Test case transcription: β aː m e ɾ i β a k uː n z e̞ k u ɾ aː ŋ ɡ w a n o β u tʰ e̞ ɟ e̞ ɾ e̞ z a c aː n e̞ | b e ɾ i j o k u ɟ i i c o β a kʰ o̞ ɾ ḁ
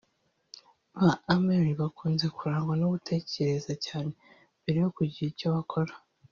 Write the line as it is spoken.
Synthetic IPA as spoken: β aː m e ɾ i β a k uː n z e̞ k u ɾ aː ŋ ɡ w a n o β u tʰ e̞ c e̞ ɾ e̞ z a c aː n e̞ | b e ɾ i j o k u ɟ i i c o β a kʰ o̞ ɾ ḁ